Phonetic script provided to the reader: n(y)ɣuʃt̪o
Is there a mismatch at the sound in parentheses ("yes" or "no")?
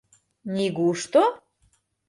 yes